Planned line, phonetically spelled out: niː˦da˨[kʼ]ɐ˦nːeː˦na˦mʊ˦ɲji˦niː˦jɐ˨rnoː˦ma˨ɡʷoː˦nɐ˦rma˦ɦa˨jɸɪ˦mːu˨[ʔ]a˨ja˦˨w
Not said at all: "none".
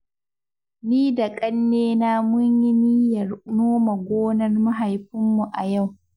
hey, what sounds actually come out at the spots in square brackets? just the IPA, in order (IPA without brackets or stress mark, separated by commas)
kʼ, ʔ